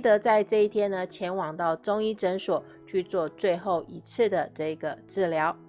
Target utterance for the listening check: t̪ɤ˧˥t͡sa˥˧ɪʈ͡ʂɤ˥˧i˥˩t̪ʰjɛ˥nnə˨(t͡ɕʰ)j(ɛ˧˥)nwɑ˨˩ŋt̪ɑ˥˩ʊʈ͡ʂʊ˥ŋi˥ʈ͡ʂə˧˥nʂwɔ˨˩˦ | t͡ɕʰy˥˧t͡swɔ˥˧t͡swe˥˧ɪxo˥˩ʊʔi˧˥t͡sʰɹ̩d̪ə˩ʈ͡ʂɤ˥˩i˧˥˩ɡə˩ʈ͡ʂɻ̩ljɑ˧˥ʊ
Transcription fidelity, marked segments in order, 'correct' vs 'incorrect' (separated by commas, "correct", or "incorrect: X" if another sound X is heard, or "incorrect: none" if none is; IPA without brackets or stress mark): correct, correct